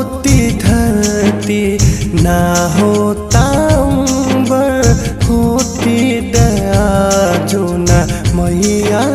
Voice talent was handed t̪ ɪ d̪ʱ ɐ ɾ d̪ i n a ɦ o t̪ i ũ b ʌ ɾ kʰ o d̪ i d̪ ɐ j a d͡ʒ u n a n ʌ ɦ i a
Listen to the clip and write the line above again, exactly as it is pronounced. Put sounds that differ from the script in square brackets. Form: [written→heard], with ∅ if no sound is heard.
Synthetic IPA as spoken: t̪ [ɪ→i] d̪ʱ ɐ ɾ [d̪→t̪] i n a ɦ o t̪ [i→a] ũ b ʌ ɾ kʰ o [d̪→t̪] i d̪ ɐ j a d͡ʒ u n a [n→m] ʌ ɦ i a